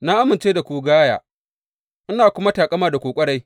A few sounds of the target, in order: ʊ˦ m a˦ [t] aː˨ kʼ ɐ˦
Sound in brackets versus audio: correct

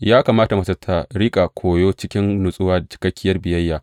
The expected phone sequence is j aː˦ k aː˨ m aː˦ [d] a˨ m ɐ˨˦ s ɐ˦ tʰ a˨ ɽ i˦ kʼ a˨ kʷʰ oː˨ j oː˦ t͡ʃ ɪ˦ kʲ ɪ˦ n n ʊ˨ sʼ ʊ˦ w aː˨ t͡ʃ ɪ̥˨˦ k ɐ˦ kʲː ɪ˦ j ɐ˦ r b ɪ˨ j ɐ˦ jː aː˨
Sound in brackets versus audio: incorrect: t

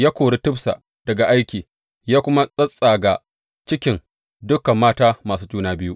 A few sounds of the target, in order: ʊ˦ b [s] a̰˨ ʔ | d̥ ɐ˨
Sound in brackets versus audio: correct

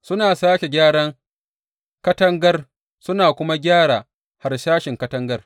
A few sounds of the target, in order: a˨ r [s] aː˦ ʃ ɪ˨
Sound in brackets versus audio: incorrect: ʃ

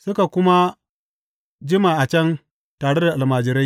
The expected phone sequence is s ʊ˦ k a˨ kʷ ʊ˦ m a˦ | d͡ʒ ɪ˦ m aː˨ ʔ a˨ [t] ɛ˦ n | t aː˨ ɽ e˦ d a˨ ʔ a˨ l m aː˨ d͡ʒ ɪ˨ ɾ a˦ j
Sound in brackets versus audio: incorrect: t͡ʃ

